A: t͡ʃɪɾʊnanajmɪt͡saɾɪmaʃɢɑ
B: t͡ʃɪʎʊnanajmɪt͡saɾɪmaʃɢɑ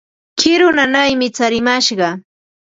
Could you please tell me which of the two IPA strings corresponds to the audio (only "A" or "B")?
A